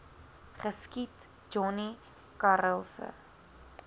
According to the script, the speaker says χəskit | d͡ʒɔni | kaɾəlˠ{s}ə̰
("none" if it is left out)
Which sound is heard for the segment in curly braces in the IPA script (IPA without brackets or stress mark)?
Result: s